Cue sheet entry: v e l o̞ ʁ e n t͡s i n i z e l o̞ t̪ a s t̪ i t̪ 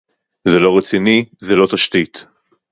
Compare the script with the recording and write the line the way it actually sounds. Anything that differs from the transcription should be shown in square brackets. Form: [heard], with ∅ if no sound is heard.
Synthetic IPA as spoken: [z] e l o̞ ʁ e [∅] t͡s i n i z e l o̞ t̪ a [ʃ] t̪ i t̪